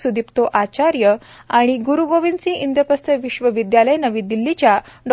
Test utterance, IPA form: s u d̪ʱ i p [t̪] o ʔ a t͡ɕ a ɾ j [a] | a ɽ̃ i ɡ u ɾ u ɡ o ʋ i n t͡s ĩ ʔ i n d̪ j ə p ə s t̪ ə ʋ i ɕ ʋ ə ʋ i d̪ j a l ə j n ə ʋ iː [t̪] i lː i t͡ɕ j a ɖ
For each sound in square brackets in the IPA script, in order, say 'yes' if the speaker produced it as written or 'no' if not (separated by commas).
yes, no, no